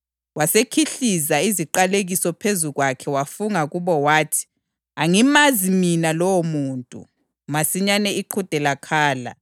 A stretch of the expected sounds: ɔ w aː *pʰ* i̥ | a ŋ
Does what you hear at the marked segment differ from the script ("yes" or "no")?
yes